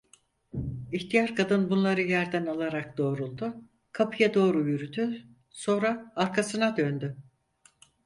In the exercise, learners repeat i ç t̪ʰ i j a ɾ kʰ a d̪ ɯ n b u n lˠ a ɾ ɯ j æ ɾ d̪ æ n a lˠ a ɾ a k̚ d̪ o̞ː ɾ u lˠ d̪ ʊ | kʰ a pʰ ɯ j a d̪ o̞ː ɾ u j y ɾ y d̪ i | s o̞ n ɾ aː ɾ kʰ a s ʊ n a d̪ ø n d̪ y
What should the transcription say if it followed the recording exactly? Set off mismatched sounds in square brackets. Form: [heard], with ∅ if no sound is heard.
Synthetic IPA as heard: i ç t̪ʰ i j a ɾ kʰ a d̪ ɯ n b u n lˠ a ɾ ɯ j æ ɾ d̪ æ n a lˠ a ɾ a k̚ d̪ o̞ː ɾ u lˠ d̪ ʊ | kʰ a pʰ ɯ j a d̪ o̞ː ɾ u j y ɾ y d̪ [y] | s o̞ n ɾ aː ɾ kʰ a s [ɯ] n a d̪ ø n d̪ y